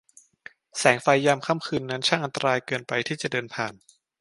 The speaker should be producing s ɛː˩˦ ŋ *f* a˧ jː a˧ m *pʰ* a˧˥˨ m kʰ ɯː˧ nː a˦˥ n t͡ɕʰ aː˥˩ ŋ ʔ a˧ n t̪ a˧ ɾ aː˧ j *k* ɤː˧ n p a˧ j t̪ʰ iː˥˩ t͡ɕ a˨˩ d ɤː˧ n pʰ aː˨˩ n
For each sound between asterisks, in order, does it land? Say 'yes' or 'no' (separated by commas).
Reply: yes, no, yes